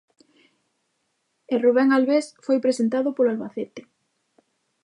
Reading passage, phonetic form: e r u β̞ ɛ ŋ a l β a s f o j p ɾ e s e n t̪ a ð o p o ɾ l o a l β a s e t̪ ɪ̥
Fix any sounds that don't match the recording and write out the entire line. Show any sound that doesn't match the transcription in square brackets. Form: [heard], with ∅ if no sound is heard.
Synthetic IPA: e r u β̞ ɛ ŋ a l β [e] s f o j p ɾ e s e n t̪ a ð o p o [∅] l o a l β a [θ] e t̪ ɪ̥